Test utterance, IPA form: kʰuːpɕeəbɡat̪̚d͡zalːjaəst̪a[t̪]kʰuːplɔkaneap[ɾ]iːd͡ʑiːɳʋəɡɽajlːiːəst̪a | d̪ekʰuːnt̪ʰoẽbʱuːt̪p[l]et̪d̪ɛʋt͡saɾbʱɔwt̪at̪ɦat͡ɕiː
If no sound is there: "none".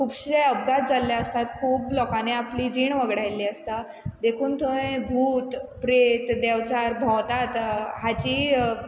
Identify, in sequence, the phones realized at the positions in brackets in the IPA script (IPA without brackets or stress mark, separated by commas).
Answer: t̪, l, ɾ